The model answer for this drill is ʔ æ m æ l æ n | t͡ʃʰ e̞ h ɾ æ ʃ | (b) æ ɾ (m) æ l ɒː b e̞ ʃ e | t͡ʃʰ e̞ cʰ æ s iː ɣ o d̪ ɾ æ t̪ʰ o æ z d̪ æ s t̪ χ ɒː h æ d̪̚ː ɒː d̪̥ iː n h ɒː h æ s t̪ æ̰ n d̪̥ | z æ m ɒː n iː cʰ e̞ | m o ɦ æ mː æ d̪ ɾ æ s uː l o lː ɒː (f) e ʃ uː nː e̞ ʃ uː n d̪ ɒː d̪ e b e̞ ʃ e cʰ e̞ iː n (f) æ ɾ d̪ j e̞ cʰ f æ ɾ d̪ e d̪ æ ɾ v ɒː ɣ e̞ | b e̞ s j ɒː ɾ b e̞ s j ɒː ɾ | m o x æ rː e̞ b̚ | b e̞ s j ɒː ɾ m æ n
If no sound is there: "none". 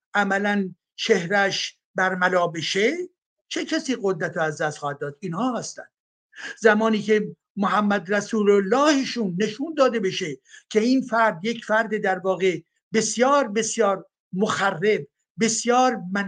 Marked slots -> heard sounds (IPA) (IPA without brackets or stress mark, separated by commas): b, m, h, f